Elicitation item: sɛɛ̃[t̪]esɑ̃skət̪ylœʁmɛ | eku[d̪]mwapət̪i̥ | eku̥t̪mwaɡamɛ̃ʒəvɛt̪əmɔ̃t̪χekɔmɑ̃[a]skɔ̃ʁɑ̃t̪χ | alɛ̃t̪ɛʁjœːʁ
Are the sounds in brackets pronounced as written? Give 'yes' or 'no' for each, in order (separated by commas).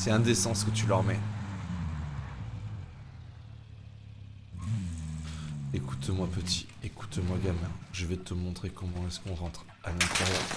no, no, no